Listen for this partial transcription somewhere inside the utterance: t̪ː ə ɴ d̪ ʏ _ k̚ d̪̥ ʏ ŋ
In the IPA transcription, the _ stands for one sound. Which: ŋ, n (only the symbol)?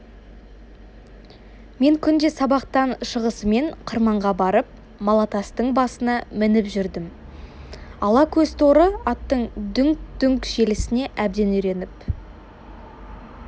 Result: ŋ